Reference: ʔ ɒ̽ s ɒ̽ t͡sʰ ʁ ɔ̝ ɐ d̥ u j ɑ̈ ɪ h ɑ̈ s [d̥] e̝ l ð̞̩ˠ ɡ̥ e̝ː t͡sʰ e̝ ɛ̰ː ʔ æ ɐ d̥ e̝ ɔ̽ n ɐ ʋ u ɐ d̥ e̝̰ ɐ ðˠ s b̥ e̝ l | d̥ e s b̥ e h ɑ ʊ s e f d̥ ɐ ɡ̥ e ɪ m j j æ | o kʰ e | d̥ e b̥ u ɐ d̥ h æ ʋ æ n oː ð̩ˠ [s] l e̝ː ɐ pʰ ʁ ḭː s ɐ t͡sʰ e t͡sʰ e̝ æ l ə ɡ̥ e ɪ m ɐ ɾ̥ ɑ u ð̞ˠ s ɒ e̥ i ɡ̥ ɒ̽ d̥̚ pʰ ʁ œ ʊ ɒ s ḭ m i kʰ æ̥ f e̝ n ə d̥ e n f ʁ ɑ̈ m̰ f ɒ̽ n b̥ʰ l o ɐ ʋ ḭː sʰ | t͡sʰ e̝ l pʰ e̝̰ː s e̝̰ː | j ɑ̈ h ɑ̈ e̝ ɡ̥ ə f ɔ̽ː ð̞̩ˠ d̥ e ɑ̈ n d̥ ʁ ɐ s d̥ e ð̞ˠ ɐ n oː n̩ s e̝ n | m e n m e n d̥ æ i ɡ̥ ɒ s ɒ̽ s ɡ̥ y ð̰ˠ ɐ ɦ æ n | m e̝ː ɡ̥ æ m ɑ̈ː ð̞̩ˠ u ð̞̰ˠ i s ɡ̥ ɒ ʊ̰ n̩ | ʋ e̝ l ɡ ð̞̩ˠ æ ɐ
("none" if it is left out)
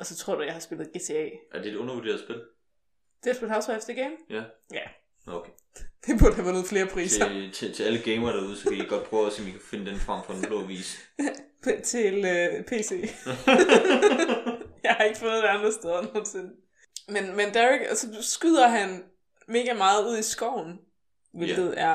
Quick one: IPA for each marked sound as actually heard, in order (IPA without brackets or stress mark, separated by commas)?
b̥, f